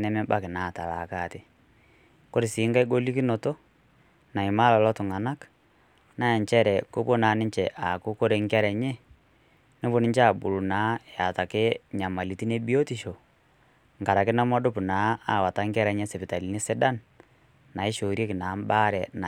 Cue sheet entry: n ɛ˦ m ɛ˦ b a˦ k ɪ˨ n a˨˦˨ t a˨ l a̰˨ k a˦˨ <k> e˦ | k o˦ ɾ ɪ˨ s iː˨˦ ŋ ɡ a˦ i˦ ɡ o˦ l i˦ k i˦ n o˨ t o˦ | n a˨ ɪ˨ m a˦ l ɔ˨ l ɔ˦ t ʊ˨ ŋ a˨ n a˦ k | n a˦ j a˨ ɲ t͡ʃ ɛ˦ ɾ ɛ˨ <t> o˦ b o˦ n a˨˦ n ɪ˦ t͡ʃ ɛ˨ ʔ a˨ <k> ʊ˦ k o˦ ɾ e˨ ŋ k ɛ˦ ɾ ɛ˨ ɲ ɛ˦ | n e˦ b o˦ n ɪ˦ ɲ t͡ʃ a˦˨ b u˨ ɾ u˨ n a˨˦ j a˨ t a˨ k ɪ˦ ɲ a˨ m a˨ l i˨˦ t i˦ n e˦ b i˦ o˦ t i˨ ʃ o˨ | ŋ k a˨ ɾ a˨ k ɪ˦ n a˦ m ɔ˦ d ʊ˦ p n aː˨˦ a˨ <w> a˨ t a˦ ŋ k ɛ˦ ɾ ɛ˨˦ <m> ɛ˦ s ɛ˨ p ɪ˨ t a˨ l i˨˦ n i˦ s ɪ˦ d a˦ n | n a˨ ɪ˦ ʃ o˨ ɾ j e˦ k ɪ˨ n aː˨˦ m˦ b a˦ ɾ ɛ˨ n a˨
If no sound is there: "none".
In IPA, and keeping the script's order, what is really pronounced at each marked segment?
t, k, k, w, ɲ

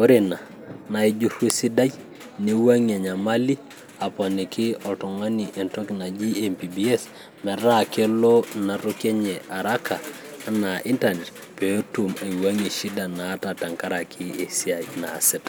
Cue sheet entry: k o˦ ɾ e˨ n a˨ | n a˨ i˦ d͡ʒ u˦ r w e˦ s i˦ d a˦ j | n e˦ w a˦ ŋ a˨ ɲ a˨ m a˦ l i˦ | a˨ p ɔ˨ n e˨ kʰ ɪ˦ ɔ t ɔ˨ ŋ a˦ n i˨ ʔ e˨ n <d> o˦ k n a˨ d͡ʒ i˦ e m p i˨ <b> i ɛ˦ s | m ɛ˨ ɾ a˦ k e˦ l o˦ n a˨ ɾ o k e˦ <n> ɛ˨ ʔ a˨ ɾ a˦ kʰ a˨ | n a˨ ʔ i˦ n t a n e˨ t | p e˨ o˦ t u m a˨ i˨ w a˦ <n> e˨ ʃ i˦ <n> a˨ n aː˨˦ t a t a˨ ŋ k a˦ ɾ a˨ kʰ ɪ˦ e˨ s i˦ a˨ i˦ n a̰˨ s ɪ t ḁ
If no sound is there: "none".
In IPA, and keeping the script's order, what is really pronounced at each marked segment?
t, b, ɲ, ŋ, d

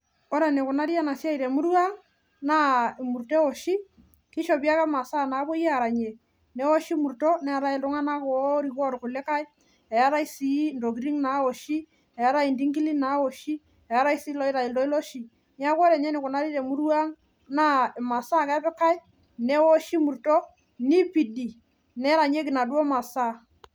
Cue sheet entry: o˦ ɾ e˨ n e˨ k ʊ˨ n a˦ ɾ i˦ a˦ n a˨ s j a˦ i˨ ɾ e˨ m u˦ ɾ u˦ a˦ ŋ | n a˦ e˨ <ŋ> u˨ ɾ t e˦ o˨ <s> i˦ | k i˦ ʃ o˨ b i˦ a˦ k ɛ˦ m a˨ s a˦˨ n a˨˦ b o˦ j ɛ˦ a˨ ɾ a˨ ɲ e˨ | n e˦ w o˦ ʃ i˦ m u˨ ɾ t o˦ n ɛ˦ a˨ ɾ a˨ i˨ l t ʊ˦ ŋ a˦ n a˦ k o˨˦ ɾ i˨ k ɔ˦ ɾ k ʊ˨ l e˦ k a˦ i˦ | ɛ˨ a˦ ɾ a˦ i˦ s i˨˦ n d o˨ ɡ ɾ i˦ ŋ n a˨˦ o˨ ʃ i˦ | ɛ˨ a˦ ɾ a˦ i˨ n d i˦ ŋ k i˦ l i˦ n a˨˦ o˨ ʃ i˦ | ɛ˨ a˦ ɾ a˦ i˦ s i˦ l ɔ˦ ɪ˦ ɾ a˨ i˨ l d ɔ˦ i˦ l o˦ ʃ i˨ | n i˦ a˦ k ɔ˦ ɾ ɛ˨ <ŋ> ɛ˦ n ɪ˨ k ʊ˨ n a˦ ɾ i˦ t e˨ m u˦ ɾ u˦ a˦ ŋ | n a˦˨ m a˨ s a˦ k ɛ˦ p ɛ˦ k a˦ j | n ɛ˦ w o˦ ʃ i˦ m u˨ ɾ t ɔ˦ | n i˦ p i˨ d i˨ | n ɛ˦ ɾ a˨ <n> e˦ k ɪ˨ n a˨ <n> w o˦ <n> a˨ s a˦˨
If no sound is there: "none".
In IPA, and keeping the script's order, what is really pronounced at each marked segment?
m, ʃ, ɲ, ɲ, d, m

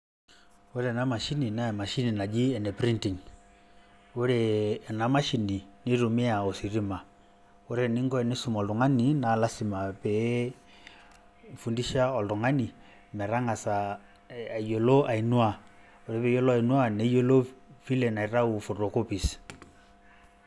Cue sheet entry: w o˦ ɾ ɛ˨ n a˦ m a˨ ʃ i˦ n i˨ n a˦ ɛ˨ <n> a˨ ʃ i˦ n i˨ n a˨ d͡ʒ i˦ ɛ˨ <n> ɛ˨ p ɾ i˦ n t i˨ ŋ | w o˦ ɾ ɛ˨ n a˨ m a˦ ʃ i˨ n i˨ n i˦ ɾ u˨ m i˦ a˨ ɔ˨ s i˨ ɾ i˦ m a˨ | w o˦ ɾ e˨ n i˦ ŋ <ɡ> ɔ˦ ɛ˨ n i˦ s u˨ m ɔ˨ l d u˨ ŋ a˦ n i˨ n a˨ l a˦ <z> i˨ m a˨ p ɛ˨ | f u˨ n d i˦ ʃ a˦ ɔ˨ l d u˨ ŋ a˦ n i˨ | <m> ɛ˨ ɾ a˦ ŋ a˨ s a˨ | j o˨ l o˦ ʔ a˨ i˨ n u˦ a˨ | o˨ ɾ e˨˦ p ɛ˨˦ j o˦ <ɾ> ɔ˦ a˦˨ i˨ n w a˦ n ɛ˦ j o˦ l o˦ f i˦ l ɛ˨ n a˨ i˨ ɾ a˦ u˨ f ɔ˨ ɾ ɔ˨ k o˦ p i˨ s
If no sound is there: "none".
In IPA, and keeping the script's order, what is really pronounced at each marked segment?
m, n, ɡ, s, m, l

